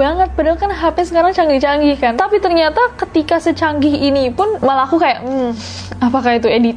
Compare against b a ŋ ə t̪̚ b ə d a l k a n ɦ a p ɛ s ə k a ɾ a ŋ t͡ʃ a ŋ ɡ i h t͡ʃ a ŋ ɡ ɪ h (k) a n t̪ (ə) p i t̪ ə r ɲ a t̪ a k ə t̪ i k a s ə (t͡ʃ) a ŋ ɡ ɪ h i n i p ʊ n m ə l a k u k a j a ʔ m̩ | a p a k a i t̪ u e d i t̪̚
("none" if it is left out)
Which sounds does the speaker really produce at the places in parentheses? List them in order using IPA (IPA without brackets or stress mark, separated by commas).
k, a, t͡ʃ